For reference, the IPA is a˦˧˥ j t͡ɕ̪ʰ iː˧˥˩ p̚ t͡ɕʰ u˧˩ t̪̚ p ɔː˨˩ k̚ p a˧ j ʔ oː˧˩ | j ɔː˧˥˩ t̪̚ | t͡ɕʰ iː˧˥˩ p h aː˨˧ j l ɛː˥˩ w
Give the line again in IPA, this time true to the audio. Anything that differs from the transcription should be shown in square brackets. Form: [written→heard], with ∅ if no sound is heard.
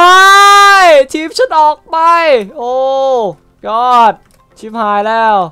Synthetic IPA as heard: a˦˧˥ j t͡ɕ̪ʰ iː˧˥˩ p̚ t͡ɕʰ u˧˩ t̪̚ [p→ʔ] ɔː˨˩ k̚ p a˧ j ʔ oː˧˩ | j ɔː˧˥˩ t̪̚ | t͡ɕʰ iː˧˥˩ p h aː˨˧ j l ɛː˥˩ w